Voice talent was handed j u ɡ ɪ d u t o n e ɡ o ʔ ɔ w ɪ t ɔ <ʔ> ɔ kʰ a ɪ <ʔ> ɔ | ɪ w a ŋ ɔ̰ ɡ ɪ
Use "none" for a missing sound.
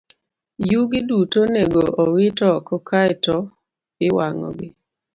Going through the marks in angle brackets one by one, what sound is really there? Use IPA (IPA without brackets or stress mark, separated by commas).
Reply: k, t